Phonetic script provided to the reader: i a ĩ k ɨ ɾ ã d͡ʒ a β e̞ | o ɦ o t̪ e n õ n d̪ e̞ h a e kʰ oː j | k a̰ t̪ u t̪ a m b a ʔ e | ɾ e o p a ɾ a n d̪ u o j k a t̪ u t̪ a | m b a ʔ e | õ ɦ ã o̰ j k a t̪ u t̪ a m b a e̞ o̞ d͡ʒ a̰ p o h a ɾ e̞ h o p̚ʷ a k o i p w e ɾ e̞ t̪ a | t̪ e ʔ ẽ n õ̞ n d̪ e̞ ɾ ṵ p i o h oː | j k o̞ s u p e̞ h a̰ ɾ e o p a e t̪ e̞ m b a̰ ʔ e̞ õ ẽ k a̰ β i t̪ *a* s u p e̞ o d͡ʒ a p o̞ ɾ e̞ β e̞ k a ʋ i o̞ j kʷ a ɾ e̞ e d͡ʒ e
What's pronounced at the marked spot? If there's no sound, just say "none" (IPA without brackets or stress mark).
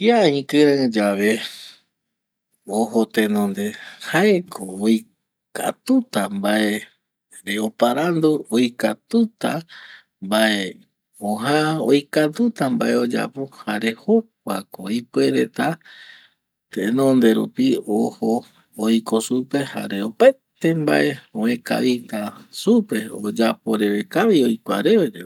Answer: a